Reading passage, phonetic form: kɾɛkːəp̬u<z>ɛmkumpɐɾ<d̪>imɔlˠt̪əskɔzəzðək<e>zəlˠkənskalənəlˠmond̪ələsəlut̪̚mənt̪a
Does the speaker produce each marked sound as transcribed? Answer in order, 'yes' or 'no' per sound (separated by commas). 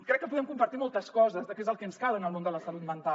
no, no, yes